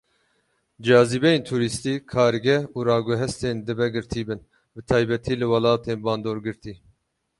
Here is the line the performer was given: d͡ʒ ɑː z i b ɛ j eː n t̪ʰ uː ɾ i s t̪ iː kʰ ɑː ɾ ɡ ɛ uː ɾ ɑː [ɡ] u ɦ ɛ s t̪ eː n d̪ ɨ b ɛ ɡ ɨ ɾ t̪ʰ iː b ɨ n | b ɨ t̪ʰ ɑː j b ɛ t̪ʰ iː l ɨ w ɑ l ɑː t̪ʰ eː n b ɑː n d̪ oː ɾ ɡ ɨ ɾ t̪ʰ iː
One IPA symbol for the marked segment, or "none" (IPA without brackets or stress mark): ɡ